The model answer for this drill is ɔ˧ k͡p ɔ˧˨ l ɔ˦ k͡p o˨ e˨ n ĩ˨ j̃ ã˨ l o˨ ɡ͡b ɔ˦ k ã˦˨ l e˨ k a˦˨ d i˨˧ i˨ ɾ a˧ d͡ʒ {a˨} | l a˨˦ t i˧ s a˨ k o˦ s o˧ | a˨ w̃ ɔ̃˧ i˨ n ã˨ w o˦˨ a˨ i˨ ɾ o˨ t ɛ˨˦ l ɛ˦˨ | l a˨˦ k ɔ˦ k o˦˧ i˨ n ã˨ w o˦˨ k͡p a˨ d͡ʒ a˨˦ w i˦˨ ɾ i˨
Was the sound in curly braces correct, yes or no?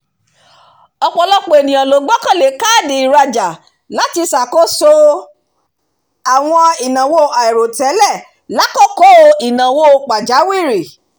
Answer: yes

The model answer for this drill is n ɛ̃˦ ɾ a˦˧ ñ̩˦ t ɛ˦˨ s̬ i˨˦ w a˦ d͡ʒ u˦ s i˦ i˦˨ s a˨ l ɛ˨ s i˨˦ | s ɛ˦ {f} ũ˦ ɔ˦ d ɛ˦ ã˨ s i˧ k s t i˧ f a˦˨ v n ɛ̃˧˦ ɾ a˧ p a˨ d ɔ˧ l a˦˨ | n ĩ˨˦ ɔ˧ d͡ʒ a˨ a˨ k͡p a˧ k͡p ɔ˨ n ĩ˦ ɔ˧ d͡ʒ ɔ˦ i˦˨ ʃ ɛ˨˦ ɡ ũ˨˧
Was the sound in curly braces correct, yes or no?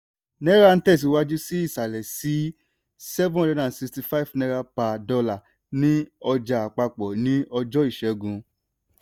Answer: no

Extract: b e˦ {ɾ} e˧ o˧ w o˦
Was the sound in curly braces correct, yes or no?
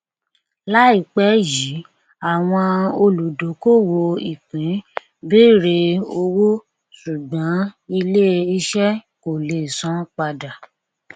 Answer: yes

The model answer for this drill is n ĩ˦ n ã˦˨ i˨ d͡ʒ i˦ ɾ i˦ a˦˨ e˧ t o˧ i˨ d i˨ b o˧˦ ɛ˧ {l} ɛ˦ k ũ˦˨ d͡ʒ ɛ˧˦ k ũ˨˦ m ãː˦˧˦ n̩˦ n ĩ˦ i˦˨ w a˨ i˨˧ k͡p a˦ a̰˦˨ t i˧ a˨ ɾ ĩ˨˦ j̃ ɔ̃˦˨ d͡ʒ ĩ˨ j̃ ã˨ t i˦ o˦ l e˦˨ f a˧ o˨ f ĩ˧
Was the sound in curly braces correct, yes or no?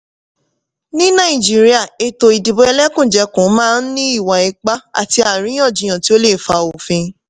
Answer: yes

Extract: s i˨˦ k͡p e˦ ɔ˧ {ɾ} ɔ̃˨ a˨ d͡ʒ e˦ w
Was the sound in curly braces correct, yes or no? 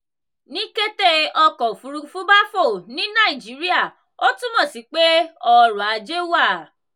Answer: yes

